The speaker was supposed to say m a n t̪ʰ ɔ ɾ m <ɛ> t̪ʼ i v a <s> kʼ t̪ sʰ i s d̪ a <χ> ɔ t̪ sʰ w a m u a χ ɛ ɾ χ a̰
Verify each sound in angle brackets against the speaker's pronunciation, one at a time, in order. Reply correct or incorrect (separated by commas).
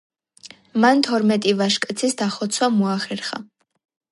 correct, incorrect, correct